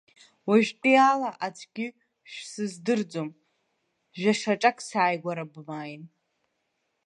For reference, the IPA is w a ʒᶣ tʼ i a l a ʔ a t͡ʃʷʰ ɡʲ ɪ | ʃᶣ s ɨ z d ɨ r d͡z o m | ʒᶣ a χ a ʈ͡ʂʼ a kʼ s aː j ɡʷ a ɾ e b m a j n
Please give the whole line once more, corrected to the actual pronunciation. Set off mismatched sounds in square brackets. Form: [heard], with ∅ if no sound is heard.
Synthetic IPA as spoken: w a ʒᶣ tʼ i a l a ʔ a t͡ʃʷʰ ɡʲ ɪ | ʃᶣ s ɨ z d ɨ r d͡z o m | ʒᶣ a [ʂ] a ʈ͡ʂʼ a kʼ s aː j ɡʷ a ɾ [a] b m a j n